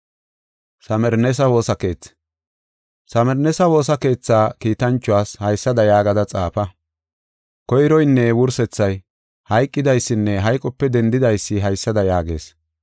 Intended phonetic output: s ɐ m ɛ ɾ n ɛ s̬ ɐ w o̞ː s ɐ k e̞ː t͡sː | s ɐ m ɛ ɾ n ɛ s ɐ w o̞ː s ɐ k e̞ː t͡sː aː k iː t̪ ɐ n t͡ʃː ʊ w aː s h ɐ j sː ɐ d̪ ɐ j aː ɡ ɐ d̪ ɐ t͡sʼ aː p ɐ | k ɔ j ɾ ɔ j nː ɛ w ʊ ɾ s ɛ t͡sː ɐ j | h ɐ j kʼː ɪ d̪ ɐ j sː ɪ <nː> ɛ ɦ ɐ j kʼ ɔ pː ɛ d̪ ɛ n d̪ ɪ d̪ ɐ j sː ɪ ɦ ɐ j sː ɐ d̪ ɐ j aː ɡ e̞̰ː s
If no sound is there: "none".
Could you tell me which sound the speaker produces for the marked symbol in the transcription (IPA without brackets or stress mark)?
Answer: nː